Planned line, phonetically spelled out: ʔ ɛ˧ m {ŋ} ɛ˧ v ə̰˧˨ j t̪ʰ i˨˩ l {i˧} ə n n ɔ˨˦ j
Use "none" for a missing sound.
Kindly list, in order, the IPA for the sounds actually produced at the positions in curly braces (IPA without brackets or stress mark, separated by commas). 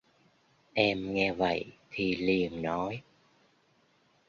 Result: ŋ, i˨˩